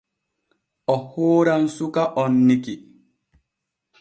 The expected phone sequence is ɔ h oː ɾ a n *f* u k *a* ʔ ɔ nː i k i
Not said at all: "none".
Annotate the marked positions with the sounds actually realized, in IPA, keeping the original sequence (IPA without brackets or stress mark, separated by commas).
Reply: s, a